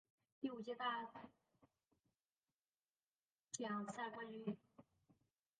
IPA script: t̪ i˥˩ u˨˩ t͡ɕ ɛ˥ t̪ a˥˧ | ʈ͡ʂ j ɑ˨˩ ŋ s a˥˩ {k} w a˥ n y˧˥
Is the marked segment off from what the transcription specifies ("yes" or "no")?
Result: no